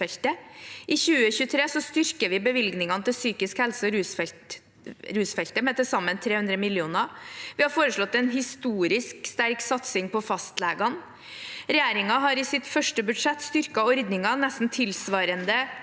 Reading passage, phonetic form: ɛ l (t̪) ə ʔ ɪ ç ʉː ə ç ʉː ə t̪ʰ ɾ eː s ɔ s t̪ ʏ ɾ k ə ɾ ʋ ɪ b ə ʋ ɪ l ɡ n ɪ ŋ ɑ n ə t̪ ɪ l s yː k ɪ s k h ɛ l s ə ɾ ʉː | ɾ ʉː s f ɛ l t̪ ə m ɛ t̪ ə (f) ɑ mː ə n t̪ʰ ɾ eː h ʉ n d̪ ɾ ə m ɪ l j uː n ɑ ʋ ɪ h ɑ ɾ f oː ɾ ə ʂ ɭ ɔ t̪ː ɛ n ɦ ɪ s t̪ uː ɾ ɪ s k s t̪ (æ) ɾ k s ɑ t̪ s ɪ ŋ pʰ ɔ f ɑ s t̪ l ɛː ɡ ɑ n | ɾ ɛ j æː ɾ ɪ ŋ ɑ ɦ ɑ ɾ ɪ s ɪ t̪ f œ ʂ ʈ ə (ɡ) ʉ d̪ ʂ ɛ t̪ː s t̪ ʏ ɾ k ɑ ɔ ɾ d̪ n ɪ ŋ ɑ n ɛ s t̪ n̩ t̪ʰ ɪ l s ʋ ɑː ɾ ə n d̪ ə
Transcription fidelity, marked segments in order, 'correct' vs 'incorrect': correct, incorrect: s, correct, incorrect: b

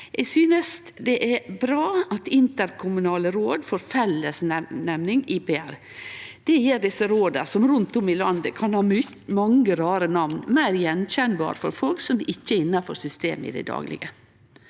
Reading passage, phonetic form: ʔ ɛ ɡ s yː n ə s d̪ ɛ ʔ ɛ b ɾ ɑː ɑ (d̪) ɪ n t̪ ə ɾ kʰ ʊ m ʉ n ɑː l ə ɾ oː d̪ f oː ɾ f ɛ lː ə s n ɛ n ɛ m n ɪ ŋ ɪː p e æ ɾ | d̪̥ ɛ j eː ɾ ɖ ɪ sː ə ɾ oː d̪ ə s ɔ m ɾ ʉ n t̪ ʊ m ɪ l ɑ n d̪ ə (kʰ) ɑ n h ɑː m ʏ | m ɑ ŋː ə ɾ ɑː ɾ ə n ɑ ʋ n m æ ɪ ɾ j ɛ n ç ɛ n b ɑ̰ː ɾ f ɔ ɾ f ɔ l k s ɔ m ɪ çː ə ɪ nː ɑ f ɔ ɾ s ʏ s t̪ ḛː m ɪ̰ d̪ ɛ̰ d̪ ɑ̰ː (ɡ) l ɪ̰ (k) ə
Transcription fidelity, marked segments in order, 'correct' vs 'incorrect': incorrect: t̪, correct, correct, incorrect: ɡ

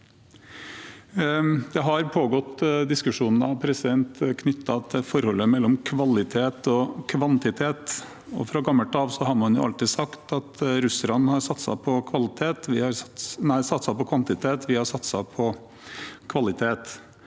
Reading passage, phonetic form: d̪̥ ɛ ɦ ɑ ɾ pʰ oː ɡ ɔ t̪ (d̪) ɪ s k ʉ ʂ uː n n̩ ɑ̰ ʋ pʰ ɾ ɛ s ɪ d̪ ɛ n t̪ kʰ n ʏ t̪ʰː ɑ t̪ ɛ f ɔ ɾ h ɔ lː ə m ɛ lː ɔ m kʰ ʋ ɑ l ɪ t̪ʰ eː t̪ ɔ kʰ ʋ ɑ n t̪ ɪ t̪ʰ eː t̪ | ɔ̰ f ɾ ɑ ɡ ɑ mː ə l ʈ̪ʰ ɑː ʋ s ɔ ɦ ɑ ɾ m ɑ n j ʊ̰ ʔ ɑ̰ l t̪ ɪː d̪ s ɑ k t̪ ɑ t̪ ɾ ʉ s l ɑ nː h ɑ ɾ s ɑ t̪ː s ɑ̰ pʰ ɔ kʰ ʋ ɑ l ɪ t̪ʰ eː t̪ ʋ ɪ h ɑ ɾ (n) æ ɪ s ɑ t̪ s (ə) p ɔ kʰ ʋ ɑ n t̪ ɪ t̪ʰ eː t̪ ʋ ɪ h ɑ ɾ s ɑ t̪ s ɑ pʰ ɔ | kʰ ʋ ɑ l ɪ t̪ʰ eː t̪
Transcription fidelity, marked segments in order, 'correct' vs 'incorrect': correct, correct, incorrect: ɑ

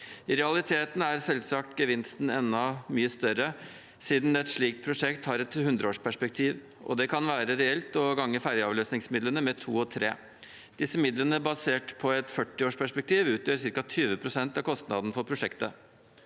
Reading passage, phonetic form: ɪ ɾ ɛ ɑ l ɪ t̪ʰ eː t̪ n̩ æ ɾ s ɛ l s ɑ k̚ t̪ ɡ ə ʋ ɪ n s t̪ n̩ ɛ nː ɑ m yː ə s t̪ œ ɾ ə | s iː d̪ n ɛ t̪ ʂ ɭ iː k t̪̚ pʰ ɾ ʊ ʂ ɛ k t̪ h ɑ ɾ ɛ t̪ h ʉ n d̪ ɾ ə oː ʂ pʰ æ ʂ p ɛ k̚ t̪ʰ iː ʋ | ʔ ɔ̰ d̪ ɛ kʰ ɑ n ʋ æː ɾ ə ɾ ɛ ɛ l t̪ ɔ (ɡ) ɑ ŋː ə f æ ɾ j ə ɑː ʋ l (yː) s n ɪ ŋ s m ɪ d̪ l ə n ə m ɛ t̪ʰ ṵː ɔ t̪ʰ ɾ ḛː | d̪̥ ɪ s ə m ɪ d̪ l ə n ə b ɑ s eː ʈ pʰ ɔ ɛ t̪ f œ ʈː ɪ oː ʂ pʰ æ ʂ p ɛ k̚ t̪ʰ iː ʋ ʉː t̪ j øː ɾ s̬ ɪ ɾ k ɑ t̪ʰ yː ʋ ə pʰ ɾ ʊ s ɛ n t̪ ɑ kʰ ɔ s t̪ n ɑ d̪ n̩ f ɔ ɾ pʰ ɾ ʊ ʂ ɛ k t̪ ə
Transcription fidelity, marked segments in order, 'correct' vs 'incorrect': correct, incorrect: øː

